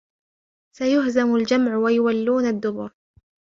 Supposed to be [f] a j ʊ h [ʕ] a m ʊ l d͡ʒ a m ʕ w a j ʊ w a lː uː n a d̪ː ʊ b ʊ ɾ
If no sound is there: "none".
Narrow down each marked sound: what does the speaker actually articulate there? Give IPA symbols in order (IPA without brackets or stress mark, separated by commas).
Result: s, z